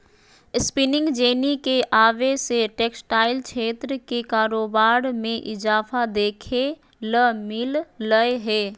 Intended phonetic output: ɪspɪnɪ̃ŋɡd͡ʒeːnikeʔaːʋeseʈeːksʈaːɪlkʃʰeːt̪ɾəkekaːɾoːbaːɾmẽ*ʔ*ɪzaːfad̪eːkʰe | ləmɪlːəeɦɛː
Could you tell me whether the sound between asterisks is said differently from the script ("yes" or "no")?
no